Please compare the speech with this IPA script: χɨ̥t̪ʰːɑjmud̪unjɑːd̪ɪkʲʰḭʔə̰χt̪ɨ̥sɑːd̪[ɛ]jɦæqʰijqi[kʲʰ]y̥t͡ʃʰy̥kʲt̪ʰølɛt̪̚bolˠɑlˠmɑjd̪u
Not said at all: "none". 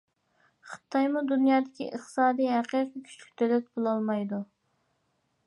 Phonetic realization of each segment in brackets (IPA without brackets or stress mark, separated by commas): i, kʲʰ